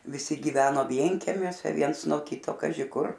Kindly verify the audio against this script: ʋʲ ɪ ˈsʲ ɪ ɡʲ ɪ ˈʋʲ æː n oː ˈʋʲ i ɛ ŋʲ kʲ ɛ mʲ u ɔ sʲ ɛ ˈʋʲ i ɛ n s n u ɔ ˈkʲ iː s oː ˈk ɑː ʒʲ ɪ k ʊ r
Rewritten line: ʋʲ ɪ ˈsʲ ɪ ɡʲ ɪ ˈʋʲ æː n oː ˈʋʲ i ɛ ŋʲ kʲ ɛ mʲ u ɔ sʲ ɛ ˈʋʲ i ɛ n s n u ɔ ˈkʲ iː t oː ˈk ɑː ʒʲ ɪ k ʊ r